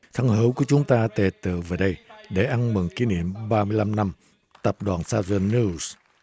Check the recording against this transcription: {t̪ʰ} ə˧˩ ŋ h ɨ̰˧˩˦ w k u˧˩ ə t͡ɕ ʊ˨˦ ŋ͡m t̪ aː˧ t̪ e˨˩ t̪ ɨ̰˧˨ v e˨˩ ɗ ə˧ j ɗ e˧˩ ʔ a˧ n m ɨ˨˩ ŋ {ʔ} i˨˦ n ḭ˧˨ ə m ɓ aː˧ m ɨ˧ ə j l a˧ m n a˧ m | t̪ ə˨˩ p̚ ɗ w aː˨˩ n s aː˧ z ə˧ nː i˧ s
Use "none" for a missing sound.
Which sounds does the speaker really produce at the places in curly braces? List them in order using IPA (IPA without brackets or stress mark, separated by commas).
t̪ʰ, k